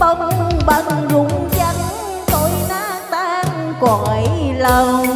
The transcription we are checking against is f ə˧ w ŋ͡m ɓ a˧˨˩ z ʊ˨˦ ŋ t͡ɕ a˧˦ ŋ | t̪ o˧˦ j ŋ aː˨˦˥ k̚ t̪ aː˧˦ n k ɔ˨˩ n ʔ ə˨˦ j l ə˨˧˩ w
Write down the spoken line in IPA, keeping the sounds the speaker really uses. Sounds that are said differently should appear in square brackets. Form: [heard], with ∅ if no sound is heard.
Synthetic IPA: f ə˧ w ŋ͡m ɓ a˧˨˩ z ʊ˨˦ [ŋ͡m] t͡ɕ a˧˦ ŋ | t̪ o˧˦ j [n] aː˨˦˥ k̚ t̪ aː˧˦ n k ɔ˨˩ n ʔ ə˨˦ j l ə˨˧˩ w